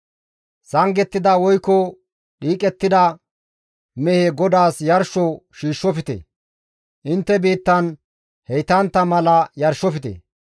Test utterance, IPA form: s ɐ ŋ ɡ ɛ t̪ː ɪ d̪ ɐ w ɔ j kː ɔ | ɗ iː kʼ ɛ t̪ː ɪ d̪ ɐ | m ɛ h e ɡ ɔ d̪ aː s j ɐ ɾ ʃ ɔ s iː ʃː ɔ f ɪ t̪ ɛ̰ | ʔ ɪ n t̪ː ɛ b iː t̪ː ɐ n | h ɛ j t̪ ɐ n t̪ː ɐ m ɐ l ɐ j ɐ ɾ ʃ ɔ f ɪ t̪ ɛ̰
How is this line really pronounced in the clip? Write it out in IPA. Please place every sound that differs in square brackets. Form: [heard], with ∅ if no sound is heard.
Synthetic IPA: s ɐ ŋ ɡ ɛ t̪ː ɪ d̪ ɐ w ɔ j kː ɔ | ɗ iː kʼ ɛ t̪ː ɪ d̪ ɐ | m ɛ h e ɡ ɔ d̪ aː s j ɐ ɾ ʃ ɔ [ʃ] iː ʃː ɔ f ɪ t̪ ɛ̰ | ʔ ɪ n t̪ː ɛ b iː t̪ː ɐ n | h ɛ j t̪ ɐ n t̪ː ɐ m ɐ l ɐ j ɐ ɾ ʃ ɔ f ɪ t̪ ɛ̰

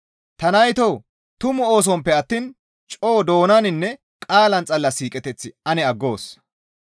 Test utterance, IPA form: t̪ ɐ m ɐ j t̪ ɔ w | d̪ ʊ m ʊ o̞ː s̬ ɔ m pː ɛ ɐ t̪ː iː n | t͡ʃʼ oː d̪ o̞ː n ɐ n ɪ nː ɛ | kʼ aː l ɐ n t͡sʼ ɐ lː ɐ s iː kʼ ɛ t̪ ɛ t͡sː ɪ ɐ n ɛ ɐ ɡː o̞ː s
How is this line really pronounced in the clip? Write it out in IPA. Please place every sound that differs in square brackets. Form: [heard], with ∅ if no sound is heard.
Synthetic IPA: t̪ ɐ [n] ɐ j t̪ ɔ w | [t̪] ʊ m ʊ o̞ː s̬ ɔ m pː ɛ ɐ t̪ː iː n | t͡ʃʼ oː d̪ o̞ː n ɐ n ɪ nː ɛ | kʼ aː l ɐ n t͡sʼ ɐ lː ɐ s iː kʼ ɛ t̪ ɛ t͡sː ɪ ɐ n ɛ ɐ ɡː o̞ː s

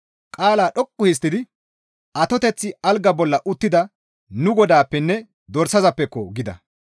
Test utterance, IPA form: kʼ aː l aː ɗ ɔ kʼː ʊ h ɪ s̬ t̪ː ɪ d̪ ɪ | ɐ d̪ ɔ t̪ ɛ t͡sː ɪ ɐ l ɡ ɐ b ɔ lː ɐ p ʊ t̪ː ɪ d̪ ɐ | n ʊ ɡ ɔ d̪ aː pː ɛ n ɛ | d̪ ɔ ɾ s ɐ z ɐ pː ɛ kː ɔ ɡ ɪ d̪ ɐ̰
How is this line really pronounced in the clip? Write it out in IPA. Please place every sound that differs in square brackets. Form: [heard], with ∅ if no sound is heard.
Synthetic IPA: kʼ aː l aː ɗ ɔ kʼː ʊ h ɪ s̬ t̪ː ɪ d̪ ɪ | ɐ [t̪] ɔ t̪ ɛ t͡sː ɪ ɐ l ɡ ɐ b ɔ lː ɐ [ʔ] ʊ t̪ː ɪ d̪ ɐ | n ʊ ɡ ɔ d̪ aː pː ɛ [nː] ɛ | d̪ ɔ ɾ s ɐ z ɐ pː ɛ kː ɔ ɡ ɪ d̪ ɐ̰

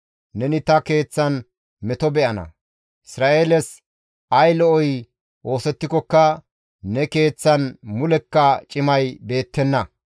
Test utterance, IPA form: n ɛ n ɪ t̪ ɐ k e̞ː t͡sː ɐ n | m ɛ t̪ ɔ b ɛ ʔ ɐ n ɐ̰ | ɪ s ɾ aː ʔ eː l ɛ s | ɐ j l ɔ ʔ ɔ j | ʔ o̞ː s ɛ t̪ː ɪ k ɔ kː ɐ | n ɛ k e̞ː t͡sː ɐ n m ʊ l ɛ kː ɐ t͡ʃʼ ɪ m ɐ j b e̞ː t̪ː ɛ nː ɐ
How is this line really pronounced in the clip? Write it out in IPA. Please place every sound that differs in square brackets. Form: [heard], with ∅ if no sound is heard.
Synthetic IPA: n ɛ n ɪ t̪ ɐ k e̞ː t͡sː ɐ n | m ɛ t̪ ɔ b ɛ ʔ ɐ n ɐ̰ | ɪ s ɾ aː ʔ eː l ɛ s | ɐ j l ɔ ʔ ɔ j | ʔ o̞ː s ɛ t̪ː ɪ k ɔ kː ɐ | n ɛ k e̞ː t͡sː ɐ n m ʊ l ɛ kː ɐ t͡ʃʼ ɪ m ɐ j b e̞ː t̪ː ɛ nː ɐ

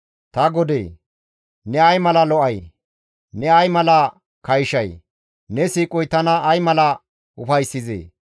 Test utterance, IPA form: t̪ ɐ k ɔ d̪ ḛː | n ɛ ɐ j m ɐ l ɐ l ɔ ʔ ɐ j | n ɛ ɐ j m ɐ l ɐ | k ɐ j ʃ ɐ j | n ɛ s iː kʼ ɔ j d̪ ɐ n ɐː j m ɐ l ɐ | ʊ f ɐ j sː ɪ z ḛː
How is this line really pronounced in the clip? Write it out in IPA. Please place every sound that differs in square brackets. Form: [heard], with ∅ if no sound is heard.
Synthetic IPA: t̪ ɐ [ɡ] ɔ d̪ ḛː | n ɛ ɐ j m ɐ l ɐ l ɔ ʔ ɐ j | n ɛ ɐ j m ɐ l ɐ | k ɐ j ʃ ɐ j | n ɛ s iː kʼ ɔ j [t̪] ɐ n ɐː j m ɐ l ɐ | ʊ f ɐ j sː ɪ z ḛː

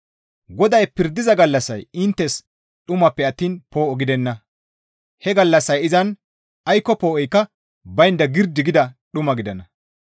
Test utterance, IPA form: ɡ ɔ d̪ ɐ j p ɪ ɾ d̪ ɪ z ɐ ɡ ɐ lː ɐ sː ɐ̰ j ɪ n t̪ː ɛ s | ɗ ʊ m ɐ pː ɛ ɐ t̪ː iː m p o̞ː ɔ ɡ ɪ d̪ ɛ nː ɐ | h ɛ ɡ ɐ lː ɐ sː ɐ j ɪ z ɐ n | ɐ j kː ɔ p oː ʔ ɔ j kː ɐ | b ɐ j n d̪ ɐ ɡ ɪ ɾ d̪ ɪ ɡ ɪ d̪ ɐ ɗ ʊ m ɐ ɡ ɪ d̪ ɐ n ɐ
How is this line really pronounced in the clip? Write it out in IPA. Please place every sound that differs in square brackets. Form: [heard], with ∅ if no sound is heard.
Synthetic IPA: ɡ ɔ d̪ ɐ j p ɪ ɾ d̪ ɪ z ɐ ɡ ɐ lː ɐ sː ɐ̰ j ɪ n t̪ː ɛ s | ɗ ʊ m ɐ pː ɛ ɐ t̪ː iː [n] p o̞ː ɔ ɡ ɪ d̪ ɛ nː ɐ | h ɛ ɡ ɐ lː ɐ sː ɐ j ɪ z ɐ n | ɐ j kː ɔ p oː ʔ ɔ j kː ɐ | b ɐ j n d̪ ɐ ɡ ɪ ɾ d̪ ɪ ɡ ɪ d̪ ɐ ɗ ʊ m ɐ ɡ ɪ d̪ ɐ n ɐ

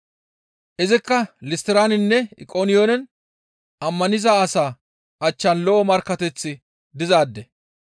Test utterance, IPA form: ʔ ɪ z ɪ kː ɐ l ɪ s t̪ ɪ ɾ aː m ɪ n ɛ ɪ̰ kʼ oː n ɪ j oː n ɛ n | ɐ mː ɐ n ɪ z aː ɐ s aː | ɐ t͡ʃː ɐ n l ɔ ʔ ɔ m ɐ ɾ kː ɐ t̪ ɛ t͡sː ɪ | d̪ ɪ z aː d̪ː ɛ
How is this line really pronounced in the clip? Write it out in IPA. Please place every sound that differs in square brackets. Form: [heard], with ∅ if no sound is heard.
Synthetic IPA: ʔ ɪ z ɪ kː ɐ l ɪ s t̪ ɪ ɾ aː [n] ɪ [nː] ɛ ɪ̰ kʼ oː n ɪ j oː n ɛ n | ɐ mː ɐ n ɪ z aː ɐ s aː | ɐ t͡ʃː ɐ n l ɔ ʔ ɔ m ɐ ɾ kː ɐ t̪ ɛ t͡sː ɪ | d̪ ɪ z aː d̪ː ɛ

